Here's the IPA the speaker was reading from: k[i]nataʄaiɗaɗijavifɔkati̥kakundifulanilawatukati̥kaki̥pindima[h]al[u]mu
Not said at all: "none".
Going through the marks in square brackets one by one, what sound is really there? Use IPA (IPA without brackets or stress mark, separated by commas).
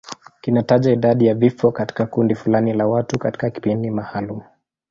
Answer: i, h, u